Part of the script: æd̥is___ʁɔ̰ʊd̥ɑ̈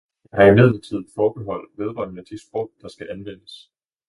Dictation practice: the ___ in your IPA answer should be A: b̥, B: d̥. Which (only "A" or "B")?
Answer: A